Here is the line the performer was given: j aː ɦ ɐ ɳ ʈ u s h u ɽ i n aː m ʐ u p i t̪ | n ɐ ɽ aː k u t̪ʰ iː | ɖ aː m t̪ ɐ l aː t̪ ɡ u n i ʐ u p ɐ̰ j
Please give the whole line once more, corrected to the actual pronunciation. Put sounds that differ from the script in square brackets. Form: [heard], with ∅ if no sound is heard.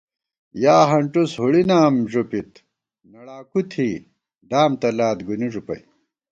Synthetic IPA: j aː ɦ ɐ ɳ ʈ u s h u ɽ i n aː m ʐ u p i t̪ | n ɐ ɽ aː k u t̪ʰ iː | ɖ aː m t̪ ɐ l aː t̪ ɡ u n i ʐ u p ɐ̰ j